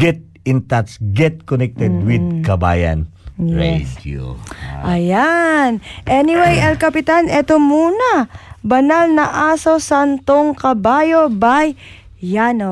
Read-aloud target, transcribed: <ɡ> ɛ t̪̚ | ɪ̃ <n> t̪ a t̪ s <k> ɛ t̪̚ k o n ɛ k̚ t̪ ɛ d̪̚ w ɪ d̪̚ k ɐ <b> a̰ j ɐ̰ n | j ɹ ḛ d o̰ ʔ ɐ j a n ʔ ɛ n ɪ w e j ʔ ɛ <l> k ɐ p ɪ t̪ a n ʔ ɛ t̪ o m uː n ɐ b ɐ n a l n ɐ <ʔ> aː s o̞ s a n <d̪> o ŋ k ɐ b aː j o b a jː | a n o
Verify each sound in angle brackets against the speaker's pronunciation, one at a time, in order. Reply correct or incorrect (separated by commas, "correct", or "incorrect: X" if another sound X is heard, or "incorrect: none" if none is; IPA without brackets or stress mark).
correct, correct, incorrect: ɡ, correct, correct, correct, incorrect: t̪